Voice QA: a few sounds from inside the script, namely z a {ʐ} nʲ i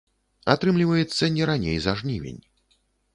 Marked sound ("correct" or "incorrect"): correct